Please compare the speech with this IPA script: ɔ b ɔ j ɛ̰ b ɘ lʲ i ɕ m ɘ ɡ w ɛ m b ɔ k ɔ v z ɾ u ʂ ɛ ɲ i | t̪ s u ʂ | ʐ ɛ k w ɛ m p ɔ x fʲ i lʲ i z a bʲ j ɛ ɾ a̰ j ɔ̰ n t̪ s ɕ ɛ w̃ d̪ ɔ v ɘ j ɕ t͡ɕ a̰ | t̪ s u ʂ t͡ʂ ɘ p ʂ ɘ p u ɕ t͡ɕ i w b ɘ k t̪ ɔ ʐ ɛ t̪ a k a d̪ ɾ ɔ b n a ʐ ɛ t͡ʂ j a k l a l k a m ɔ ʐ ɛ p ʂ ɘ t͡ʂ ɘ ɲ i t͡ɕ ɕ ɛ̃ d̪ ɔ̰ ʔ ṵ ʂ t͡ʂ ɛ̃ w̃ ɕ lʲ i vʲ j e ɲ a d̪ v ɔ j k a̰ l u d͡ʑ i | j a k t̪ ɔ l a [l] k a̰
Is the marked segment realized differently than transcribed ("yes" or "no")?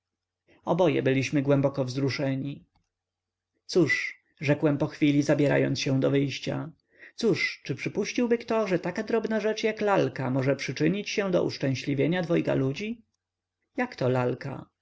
no